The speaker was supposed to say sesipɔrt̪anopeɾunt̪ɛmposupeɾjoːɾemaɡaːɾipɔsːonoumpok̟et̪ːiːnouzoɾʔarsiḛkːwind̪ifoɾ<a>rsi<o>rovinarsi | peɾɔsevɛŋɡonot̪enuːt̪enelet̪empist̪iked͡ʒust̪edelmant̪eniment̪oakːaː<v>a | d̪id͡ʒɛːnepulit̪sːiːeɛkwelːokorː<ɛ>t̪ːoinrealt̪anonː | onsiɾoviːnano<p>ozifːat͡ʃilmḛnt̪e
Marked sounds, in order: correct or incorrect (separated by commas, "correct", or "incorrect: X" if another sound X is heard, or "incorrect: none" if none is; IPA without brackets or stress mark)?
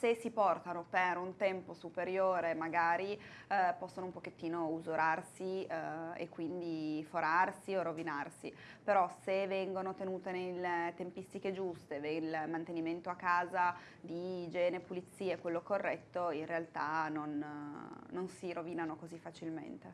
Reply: correct, correct, incorrect: z, correct, incorrect: k